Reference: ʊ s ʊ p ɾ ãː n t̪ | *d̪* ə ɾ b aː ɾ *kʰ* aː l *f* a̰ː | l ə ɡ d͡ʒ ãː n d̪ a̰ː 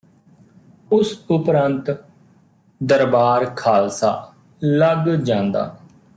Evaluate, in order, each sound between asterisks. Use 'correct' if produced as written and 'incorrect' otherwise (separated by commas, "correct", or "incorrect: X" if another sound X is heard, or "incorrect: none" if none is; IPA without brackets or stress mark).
correct, correct, incorrect: s